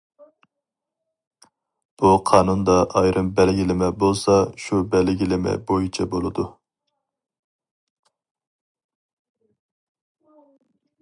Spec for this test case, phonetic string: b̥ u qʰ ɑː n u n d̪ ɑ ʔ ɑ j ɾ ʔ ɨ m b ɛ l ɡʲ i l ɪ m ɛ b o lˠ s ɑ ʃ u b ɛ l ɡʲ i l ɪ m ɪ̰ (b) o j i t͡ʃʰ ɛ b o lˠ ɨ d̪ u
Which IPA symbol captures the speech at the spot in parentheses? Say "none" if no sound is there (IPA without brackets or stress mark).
b